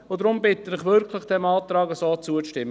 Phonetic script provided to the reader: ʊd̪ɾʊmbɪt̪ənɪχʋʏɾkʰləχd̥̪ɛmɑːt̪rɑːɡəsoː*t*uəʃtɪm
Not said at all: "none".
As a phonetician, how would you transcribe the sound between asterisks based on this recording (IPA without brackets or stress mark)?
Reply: t͡s